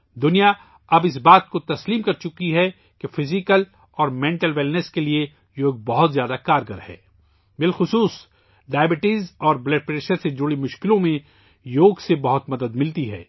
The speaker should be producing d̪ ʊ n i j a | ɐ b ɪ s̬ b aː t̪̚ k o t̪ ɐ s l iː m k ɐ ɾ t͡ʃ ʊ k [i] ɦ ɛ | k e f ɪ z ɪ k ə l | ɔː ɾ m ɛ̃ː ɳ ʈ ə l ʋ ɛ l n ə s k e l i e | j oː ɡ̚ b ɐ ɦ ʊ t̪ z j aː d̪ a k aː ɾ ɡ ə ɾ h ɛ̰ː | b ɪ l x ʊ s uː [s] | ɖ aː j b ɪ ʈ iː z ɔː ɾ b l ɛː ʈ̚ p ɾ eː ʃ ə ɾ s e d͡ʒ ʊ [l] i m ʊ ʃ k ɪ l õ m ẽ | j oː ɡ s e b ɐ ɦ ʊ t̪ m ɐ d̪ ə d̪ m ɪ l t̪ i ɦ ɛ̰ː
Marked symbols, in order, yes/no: yes, yes, no

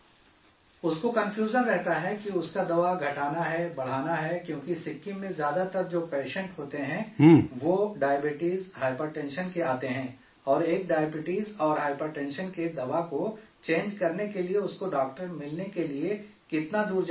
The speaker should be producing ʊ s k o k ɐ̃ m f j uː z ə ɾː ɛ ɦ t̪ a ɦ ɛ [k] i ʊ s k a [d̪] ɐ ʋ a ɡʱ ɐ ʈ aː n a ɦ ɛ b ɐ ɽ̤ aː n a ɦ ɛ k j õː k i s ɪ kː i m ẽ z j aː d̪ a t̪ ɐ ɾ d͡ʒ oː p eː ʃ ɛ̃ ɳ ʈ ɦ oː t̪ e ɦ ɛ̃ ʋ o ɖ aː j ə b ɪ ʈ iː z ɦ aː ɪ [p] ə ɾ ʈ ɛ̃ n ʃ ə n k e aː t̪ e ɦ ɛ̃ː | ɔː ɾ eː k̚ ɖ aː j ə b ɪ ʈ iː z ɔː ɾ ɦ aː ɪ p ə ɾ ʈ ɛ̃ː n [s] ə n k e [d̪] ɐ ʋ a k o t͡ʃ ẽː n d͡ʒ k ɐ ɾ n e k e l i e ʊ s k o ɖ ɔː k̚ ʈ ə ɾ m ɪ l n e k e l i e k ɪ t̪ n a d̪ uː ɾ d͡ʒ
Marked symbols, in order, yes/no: yes, yes, yes, no, yes

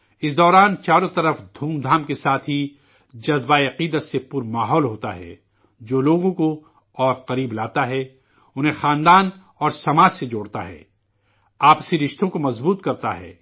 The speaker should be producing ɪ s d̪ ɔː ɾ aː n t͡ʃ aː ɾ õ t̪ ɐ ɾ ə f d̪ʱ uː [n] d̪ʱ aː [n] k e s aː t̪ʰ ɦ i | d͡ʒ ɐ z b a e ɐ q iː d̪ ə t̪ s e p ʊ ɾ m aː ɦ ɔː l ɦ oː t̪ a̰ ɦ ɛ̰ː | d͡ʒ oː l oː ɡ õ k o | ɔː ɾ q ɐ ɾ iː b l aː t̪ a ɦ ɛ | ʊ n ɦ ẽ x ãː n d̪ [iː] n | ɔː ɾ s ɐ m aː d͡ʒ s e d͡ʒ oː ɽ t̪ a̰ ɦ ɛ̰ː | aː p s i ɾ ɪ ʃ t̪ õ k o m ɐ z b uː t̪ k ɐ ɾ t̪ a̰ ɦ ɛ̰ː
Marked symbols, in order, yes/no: no, no, no

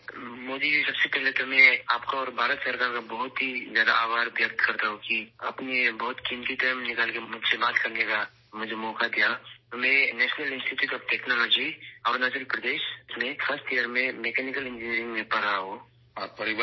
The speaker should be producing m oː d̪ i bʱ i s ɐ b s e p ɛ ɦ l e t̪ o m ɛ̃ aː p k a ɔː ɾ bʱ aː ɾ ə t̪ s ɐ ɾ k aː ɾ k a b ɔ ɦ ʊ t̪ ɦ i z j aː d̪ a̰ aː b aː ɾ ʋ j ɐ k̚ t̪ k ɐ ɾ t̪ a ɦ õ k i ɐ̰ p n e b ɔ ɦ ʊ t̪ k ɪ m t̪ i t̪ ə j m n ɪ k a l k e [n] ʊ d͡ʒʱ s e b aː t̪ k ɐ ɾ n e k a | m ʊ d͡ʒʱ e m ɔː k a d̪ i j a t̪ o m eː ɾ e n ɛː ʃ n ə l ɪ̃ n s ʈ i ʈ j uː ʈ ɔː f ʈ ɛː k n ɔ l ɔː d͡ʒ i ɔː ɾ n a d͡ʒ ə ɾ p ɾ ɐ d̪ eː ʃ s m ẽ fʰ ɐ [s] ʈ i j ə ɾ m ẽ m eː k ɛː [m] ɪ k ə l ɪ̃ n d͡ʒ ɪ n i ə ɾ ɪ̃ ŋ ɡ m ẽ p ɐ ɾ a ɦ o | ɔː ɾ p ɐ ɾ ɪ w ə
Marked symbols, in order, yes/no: no, yes, no

